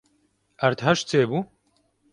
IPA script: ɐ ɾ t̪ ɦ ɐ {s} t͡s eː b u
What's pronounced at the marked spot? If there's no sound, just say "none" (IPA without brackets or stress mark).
ʃ